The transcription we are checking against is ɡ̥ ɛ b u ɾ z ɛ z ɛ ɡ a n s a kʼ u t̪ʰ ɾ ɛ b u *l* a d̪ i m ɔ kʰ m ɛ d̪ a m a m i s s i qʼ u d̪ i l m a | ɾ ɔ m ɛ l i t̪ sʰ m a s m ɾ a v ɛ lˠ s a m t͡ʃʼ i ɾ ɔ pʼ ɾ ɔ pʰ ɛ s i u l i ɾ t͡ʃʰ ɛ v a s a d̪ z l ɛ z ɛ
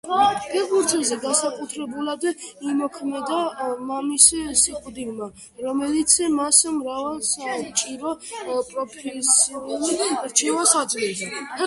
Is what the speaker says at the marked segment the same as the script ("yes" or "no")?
yes